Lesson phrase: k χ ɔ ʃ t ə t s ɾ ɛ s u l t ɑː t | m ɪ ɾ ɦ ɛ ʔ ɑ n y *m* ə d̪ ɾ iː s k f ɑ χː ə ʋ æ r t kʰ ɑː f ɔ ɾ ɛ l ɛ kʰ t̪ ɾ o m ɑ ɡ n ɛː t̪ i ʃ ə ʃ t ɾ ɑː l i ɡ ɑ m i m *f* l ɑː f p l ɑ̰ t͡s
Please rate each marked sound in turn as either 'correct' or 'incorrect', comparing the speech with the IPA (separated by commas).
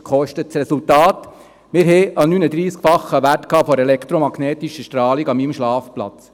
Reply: incorrect, incorrect